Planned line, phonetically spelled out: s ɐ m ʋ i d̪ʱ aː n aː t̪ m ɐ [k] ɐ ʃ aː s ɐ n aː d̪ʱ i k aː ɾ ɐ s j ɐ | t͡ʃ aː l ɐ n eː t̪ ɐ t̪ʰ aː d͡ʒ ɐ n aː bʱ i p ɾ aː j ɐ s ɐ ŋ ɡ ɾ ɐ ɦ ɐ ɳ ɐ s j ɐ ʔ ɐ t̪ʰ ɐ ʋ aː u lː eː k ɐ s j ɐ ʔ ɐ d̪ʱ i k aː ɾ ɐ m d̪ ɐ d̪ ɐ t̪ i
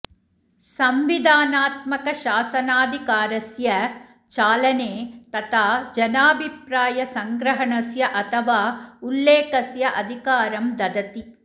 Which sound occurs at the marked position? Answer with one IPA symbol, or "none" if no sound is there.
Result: k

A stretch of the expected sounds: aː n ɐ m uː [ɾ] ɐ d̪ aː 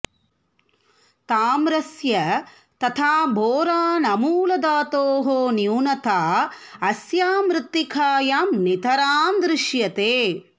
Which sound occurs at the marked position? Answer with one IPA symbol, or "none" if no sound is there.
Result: l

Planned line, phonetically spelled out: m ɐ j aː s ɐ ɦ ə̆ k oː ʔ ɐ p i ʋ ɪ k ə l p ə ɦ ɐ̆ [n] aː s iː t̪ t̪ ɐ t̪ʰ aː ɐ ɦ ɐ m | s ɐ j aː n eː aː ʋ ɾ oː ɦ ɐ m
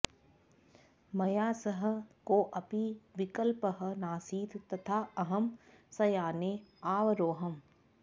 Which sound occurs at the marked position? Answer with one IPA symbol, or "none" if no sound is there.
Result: n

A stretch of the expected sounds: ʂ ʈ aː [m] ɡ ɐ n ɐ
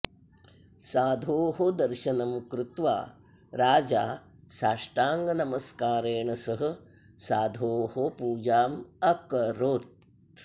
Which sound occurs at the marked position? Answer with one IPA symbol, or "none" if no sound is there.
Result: ŋ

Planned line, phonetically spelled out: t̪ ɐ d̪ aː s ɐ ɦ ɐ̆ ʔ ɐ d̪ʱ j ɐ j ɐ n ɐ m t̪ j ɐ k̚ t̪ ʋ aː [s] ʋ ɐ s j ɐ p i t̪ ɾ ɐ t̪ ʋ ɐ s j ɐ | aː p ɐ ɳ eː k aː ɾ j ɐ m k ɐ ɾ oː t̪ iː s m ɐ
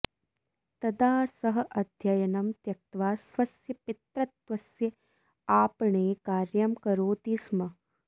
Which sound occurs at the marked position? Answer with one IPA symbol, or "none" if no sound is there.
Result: s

